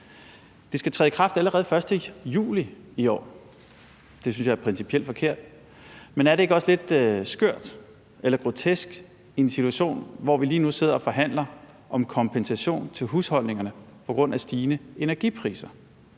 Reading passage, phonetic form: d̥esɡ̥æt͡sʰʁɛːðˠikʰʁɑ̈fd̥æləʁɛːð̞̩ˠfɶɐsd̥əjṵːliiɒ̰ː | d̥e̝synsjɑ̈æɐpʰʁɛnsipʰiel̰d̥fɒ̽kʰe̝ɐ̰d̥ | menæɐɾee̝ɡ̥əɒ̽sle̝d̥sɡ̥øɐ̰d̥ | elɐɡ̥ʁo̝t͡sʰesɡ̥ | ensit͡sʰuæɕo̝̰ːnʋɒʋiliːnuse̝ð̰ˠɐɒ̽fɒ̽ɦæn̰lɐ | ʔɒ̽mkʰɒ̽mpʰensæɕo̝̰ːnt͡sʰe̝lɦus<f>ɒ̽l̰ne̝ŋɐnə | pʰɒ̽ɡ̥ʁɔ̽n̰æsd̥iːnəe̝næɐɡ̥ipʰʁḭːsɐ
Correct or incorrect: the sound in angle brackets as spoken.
incorrect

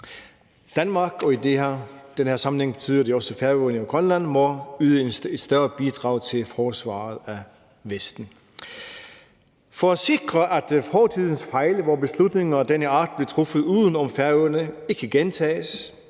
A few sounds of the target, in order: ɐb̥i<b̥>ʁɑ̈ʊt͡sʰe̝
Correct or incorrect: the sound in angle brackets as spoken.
incorrect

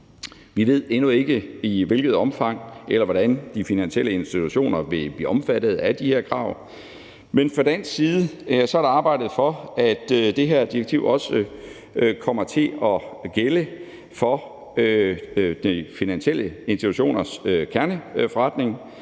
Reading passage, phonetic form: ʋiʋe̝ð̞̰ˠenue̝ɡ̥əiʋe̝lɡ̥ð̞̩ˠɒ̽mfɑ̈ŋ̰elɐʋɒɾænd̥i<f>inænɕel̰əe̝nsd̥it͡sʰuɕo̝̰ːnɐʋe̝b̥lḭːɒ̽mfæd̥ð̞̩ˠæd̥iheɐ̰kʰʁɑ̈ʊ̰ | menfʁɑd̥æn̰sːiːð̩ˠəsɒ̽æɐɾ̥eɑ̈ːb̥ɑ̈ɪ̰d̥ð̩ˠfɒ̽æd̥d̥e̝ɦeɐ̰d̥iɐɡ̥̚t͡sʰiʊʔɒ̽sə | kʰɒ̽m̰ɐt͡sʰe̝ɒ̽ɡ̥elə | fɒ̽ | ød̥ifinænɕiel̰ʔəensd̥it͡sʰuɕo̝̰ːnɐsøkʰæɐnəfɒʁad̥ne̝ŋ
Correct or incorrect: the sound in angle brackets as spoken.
correct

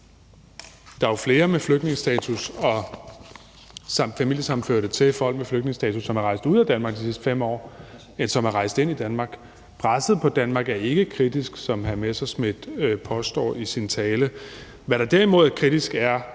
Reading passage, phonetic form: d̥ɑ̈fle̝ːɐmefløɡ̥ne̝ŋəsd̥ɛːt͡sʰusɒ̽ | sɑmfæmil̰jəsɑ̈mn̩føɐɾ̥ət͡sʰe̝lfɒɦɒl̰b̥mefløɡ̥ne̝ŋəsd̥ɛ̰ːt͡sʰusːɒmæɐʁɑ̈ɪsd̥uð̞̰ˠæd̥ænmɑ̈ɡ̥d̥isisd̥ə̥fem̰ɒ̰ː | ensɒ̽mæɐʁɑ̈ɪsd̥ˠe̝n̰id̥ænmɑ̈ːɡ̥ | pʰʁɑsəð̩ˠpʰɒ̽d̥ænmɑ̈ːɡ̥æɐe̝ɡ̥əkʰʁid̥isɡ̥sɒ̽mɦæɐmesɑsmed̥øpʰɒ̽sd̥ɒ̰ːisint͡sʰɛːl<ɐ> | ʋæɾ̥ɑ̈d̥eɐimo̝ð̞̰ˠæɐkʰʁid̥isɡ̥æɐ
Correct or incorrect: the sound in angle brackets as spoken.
incorrect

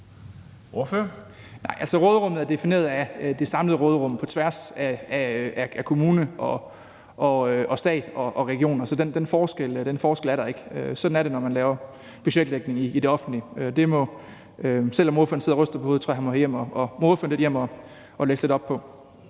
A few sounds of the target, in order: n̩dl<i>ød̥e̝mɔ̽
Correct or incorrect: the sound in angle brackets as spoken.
correct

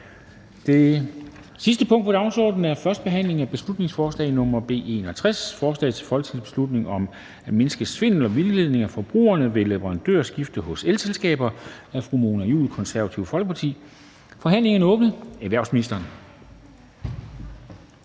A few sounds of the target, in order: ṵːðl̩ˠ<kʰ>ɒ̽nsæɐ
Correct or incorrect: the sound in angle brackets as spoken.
correct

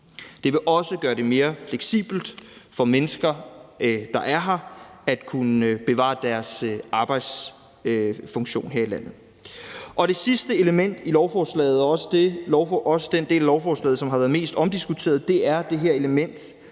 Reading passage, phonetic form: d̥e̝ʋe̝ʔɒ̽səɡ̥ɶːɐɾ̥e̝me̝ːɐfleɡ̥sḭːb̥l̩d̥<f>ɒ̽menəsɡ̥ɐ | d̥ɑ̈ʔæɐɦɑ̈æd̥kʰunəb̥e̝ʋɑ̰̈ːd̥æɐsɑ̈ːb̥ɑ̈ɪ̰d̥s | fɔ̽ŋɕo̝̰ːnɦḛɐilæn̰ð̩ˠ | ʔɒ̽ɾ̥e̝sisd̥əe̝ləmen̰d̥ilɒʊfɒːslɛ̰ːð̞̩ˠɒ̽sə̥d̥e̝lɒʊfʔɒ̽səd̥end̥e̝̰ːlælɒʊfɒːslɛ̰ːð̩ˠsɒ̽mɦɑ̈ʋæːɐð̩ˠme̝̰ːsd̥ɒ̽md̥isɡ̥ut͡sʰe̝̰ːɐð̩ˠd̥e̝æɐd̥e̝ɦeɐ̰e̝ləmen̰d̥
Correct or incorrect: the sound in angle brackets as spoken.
correct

